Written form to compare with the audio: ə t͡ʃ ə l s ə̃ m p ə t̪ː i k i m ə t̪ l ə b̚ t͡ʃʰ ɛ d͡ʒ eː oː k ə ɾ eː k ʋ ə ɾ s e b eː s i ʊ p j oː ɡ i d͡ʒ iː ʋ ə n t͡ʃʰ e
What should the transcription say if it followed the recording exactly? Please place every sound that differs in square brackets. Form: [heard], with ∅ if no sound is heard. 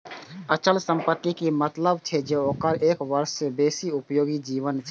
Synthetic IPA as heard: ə t͡ʃ ə l s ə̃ m p ə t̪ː i k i m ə t̪ l ə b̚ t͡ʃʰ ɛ d͡ʒ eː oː k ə ɾ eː k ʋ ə ɾ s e b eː s i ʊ p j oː ɡ i d͡ʒ iː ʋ ə n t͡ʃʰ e